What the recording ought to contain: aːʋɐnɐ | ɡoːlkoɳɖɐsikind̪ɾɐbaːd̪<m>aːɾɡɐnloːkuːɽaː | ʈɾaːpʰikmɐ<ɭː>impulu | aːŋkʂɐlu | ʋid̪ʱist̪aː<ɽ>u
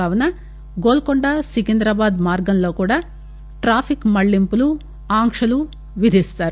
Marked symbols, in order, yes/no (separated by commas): yes, yes, no